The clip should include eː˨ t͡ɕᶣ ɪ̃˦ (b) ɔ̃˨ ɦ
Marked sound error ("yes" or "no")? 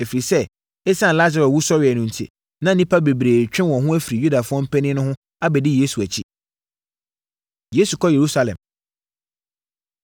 yes